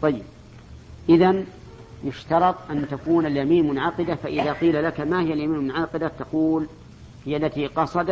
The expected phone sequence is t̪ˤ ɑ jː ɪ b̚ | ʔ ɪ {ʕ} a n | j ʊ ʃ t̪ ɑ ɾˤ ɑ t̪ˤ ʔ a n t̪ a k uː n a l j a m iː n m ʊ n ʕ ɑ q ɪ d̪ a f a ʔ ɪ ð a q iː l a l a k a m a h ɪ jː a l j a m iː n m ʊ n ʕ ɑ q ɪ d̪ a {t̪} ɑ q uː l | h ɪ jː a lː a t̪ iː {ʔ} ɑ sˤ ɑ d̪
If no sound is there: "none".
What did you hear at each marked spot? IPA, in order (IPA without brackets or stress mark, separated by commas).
ð, t̪, q